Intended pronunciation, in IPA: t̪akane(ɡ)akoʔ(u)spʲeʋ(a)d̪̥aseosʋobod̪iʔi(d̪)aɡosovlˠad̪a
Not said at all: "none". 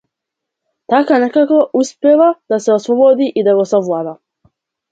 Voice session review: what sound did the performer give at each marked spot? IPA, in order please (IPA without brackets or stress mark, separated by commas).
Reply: k, u, a, d̪